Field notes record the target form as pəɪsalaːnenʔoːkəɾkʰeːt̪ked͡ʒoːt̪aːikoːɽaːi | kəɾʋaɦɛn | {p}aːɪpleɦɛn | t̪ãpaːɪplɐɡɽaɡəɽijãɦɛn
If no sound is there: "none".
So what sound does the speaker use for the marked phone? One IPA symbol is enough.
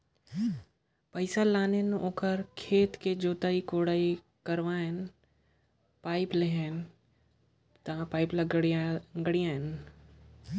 p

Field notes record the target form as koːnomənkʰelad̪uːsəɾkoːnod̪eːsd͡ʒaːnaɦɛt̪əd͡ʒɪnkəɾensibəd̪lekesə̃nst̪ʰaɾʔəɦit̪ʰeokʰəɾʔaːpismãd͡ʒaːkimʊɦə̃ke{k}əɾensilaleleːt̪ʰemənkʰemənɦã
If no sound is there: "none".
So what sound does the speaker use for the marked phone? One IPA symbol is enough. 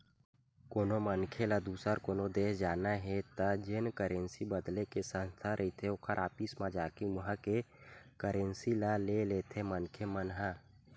k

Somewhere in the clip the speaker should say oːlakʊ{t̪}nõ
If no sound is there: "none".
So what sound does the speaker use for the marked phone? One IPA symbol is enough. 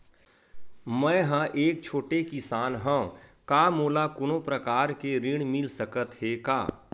none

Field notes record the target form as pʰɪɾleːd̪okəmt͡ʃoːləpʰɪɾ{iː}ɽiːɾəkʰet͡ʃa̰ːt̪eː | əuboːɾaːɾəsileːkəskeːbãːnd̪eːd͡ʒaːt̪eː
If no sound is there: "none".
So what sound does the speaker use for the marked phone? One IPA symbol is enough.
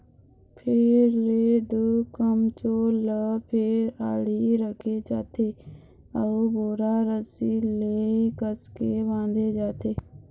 aː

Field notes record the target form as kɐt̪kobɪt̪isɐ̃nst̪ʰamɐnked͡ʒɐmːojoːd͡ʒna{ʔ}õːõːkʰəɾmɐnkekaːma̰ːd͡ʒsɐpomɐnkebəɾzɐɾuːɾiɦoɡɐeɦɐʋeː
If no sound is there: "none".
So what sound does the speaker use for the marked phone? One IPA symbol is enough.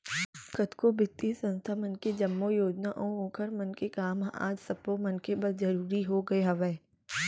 ʔ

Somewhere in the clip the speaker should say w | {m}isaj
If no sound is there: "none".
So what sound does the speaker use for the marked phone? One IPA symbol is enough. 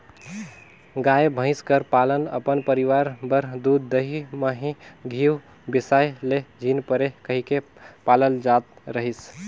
b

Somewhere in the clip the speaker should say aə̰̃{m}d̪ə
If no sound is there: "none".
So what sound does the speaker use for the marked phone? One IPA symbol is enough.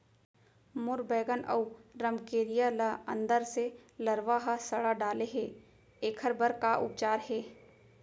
n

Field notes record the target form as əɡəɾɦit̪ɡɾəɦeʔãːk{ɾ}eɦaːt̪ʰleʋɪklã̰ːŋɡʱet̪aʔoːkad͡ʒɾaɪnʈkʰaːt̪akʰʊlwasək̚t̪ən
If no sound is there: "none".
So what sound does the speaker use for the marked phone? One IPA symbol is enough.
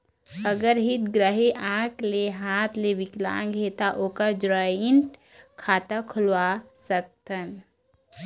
l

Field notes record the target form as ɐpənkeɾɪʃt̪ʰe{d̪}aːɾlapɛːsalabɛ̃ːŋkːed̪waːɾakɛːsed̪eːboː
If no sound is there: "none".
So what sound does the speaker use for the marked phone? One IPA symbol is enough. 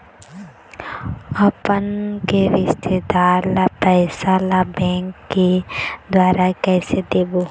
d̪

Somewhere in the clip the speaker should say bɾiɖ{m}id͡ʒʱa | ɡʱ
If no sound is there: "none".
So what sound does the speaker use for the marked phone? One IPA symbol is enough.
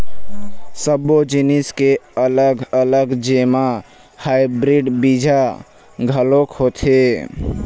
b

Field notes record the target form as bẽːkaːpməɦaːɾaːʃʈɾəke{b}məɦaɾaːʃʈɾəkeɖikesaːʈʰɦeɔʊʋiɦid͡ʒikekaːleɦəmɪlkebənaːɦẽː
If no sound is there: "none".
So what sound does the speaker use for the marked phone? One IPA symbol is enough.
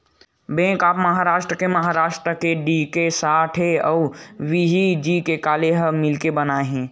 none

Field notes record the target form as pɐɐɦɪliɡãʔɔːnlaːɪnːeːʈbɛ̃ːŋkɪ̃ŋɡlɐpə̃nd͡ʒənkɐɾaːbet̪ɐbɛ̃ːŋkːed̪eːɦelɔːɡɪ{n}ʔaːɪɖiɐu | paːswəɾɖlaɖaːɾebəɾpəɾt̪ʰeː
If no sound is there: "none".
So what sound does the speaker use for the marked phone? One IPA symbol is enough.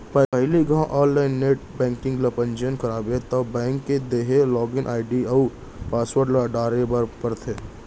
n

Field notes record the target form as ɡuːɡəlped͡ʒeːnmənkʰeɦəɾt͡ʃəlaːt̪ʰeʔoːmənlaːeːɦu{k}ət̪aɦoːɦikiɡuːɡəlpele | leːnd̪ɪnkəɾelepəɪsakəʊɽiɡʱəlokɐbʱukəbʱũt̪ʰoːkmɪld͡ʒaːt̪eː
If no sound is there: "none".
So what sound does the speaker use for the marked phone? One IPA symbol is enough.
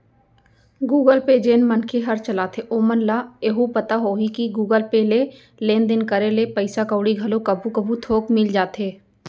p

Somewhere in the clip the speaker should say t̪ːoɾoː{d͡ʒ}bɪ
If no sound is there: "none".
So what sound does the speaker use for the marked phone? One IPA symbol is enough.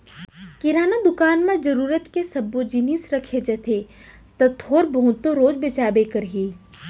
d͡ʒ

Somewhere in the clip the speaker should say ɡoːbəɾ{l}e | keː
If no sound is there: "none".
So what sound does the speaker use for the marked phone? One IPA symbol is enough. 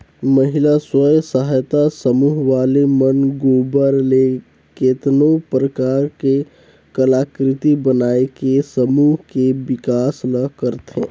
l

